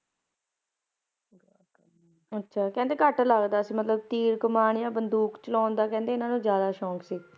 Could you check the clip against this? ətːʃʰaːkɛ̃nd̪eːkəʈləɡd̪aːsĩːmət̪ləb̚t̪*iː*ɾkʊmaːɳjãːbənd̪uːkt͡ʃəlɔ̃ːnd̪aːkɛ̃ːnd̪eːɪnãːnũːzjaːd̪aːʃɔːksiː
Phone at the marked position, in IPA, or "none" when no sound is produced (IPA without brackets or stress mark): iː